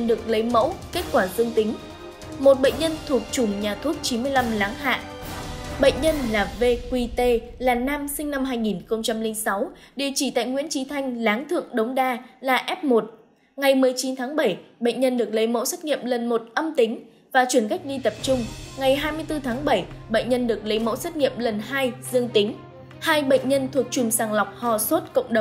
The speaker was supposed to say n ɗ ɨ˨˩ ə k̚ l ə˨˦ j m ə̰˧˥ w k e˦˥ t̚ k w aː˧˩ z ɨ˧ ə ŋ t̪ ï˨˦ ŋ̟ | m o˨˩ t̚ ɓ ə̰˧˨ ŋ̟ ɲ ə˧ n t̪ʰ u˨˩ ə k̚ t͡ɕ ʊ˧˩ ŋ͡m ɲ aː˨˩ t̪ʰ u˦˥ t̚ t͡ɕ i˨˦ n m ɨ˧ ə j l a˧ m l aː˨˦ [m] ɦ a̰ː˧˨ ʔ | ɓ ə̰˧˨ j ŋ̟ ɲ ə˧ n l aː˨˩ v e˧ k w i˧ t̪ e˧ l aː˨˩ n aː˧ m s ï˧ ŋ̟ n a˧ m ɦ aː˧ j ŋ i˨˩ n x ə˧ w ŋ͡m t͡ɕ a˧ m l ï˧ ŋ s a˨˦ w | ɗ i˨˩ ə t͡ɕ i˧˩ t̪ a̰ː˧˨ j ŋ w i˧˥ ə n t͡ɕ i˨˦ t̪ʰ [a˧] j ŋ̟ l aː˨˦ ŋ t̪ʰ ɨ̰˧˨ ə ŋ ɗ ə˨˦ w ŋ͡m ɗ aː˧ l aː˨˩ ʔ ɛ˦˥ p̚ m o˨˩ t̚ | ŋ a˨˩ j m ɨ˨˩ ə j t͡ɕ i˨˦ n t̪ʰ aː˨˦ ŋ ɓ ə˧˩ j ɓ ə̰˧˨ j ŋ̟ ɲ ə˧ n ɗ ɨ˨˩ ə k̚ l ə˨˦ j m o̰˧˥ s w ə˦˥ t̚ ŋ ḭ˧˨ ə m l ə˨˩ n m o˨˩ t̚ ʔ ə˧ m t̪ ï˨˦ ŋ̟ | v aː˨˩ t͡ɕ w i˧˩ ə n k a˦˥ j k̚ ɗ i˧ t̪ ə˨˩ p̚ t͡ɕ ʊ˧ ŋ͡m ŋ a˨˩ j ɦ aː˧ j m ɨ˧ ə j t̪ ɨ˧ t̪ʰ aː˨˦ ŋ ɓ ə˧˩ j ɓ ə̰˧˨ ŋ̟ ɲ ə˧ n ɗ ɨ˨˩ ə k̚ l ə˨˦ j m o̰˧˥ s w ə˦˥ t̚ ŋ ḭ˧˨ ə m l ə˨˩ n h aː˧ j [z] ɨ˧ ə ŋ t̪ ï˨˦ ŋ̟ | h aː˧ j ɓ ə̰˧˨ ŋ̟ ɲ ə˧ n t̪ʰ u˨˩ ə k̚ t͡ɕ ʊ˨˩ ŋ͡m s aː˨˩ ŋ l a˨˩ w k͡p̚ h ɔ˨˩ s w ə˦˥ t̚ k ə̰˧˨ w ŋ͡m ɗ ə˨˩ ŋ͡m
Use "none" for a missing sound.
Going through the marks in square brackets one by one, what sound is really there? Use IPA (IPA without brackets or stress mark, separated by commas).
ŋ, a˧, z